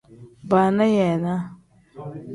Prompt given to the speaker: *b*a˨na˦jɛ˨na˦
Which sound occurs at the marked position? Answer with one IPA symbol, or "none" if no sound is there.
b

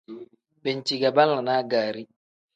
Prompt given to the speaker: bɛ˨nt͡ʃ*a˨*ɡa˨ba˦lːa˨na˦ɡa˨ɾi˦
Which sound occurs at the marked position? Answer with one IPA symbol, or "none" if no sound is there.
i˨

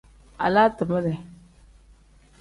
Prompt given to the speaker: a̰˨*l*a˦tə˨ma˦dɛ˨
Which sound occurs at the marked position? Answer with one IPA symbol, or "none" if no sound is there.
l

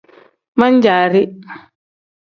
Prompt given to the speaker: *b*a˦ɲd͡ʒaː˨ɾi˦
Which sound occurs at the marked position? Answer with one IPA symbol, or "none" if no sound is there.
m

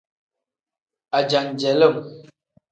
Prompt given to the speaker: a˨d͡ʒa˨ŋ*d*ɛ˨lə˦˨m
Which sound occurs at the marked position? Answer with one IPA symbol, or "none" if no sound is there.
d͡ʒ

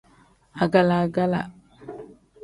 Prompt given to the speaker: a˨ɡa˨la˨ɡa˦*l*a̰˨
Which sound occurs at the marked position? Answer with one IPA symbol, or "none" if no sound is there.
l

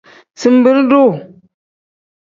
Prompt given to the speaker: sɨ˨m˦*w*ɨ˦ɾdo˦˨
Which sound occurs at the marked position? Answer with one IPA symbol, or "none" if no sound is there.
b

